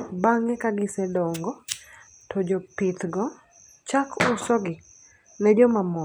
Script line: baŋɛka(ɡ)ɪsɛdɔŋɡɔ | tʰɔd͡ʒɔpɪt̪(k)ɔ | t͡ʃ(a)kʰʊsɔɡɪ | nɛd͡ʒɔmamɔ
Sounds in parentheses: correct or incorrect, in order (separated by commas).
correct, incorrect, correct